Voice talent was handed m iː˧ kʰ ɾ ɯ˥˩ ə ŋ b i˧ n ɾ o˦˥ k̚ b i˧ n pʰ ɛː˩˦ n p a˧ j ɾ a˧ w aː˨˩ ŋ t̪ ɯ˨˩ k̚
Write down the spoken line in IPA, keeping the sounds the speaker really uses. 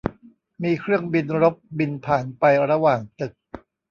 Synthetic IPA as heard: m iː˧ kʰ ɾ ɯ˥˩ ə ŋ b i˧ n ɾ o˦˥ p̚ b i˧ n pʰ aː˩˦ n p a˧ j ɾ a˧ w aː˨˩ ŋ t̪ ɯ˨˩ k̚